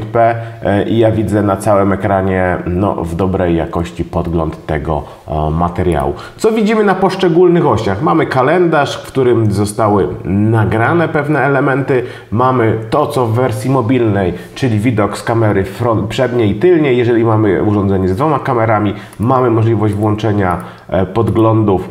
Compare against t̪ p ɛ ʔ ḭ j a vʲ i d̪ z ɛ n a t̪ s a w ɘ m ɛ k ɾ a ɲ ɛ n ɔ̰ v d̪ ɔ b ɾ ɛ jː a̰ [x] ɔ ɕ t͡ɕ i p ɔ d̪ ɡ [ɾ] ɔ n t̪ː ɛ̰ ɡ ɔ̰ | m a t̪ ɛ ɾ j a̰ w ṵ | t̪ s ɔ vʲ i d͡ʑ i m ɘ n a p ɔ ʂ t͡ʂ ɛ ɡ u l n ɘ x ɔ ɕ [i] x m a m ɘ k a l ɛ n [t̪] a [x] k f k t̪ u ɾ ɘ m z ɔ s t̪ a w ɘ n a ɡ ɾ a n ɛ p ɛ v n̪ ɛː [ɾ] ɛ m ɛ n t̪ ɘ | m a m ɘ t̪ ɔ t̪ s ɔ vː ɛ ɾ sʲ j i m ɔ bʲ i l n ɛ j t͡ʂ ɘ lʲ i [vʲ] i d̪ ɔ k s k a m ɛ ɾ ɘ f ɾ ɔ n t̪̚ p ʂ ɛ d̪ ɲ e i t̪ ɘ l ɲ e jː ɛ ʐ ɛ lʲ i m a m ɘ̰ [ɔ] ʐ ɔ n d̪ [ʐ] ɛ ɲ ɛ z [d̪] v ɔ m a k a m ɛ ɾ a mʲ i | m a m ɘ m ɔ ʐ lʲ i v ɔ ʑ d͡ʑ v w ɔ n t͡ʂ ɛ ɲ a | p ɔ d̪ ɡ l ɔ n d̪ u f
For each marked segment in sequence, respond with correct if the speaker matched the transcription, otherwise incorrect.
incorrect: k, incorrect: l, incorrect: a, incorrect: d̪, incorrect: ʂ, incorrect: l, correct, incorrect: u, incorrect: z, correct

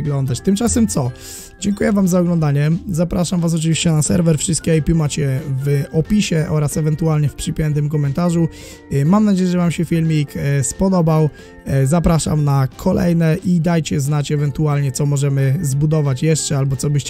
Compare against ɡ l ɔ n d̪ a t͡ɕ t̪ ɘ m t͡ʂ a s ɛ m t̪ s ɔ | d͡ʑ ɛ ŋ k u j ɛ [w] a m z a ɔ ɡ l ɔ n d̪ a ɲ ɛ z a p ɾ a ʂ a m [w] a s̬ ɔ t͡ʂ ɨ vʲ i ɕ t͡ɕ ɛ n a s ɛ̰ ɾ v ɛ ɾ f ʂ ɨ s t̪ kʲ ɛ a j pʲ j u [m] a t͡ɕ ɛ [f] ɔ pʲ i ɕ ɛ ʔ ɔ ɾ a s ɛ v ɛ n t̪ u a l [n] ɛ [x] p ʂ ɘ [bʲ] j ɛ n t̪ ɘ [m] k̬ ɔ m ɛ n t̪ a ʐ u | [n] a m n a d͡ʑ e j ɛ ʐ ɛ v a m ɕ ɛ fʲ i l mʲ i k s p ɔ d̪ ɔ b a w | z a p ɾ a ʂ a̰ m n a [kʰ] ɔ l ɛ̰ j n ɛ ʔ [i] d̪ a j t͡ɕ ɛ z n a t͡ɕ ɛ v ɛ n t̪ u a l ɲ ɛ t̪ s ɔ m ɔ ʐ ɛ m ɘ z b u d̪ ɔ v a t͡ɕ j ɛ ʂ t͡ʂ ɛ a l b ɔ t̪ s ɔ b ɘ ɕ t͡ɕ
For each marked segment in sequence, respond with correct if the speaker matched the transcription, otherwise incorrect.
incorrect: v, incorrect: v, correct, incorrect: v, incorrect: ɲ, incorrect: f, incorrect: pʲ, correct, incorrect: m, correct, correct

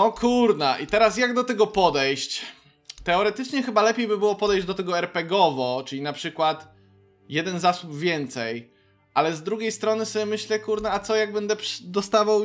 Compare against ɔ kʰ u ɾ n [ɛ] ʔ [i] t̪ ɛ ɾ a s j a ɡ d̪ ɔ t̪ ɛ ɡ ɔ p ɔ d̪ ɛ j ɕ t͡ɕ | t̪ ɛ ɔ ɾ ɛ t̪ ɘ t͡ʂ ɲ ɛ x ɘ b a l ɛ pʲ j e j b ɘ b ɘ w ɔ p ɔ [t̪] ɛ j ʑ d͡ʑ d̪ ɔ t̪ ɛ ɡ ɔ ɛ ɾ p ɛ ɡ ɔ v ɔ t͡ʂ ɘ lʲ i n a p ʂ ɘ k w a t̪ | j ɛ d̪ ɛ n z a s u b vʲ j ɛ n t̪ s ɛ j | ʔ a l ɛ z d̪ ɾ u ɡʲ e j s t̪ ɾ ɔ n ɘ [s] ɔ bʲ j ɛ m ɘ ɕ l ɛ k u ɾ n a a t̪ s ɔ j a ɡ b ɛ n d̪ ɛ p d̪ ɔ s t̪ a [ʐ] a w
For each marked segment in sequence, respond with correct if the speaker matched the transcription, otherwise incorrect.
incorrect: a, correct, incorrect: d̪, correct, incorrect: v

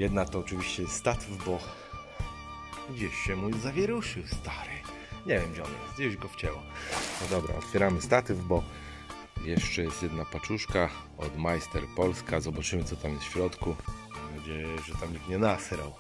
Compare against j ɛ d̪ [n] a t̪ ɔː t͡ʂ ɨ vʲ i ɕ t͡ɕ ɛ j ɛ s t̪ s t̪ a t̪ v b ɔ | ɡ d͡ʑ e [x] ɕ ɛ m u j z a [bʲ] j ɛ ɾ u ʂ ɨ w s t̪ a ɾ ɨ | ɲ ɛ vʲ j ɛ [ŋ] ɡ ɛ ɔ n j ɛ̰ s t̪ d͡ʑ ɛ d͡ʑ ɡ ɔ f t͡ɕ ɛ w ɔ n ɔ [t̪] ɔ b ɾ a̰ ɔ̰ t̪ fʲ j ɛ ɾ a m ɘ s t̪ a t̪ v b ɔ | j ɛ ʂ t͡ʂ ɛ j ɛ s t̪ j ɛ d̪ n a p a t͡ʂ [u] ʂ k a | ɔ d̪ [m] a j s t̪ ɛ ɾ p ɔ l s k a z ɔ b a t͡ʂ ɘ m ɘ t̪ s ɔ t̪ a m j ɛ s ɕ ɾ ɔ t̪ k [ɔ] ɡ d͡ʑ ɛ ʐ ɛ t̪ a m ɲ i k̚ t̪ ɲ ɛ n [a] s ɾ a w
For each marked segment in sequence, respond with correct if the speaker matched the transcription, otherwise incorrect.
correct, incorrect: ɕ, incorrect: vʲ, incorrect: m, incorrect: d̪, correct, correct, incorrect: u, correct

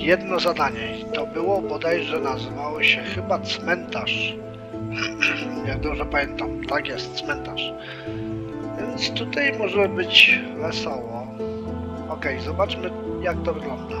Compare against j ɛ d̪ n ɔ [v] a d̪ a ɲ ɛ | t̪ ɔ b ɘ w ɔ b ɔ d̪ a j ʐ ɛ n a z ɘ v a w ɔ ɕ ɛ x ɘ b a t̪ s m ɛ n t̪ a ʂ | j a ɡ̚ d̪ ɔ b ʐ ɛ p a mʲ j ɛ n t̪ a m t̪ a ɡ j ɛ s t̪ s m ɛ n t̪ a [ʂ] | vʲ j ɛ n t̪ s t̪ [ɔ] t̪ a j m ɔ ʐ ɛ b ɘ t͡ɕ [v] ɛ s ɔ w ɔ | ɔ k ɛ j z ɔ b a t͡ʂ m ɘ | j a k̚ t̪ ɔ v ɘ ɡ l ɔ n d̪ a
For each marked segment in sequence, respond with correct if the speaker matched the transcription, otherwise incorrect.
incorrect: z, correct, incorrect: u, correct

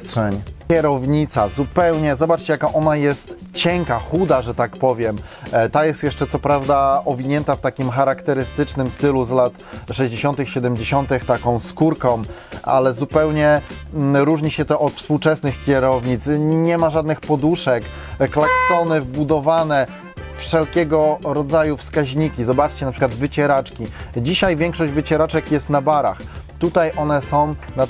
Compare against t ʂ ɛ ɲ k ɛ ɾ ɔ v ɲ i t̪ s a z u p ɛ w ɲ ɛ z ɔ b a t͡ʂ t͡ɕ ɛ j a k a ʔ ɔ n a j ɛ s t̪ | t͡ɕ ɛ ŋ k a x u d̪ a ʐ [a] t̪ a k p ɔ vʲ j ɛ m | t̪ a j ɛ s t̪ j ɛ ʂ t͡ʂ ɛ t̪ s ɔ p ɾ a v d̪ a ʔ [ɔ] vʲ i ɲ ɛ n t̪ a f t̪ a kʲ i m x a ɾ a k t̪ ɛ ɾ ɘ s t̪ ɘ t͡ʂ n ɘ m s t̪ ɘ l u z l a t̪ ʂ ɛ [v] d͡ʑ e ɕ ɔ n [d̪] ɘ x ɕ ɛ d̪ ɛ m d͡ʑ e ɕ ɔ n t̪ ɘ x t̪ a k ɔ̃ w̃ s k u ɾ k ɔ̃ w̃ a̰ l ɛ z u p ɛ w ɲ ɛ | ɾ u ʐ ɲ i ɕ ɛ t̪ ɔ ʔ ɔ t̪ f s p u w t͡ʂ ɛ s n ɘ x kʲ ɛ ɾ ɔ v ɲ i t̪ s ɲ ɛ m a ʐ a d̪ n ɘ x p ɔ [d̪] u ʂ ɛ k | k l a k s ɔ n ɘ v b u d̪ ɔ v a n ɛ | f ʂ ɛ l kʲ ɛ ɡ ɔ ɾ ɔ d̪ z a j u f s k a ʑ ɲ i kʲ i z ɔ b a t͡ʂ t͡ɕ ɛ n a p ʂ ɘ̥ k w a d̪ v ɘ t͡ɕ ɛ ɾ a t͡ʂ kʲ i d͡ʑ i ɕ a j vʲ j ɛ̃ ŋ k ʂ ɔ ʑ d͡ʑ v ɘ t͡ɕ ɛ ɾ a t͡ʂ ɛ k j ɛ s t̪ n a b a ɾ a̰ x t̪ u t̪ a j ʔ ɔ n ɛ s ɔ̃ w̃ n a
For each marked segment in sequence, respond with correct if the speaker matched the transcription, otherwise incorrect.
incorrect: ɛ, correct, incorrect: ʑ, incorrect: t̪, correct

